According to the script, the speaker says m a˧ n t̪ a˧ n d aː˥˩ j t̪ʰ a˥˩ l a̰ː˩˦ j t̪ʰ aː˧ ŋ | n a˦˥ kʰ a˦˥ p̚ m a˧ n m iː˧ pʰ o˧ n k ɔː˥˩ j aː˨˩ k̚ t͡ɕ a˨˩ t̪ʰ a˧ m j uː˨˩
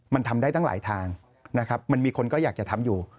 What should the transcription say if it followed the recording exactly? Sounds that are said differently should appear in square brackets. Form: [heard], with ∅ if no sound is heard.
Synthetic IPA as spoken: m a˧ n [t̪ʰ] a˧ [m] d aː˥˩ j [t̪] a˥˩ l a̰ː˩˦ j t̪ʰ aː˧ ŋ | n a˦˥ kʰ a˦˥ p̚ m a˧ n m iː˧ [kʰ] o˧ n k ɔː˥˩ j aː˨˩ k̚ t͡ɕ a˨˩ t̪ʰ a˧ m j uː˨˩